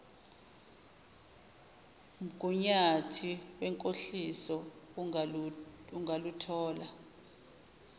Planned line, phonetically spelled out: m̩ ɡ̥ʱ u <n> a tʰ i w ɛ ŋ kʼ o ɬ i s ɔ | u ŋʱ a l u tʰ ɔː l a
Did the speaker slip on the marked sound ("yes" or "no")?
yes